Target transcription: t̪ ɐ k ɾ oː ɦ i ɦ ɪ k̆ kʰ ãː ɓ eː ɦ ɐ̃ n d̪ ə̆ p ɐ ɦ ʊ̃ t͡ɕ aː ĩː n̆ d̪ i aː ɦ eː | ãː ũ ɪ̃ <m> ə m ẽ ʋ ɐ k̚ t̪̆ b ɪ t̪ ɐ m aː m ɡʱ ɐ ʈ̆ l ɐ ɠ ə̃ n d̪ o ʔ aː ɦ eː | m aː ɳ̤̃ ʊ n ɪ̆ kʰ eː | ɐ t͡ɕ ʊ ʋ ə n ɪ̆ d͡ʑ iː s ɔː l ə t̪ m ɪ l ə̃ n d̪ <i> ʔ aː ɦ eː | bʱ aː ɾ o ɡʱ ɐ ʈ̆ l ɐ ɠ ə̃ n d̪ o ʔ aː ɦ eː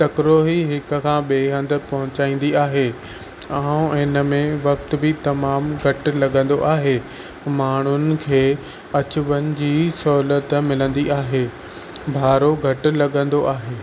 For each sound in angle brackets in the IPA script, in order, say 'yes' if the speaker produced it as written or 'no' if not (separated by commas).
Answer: no, yes